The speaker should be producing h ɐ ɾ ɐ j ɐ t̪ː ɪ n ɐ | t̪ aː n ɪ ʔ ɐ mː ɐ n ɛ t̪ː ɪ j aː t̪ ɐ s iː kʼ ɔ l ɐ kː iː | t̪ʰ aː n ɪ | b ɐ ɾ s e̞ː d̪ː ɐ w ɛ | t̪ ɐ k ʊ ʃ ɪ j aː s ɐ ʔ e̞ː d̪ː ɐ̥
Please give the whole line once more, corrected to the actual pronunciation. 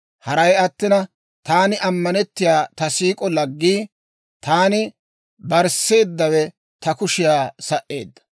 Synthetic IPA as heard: h ɐ ɾ ɐ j ɐ t̪ː ɪ n ɐ | t̪ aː n ɪ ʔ ɐ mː ɐ n ɛ t̪ː ɪ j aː t̪ ɐ s iː kʼ ɔ l ɐ ɡː iː | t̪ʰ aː n ɪ | b ɐ ɾ s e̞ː d̪ː ɐ w ɛ | t̪ ɐ k ʊ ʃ ɪ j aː s ɐ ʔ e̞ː d̪ː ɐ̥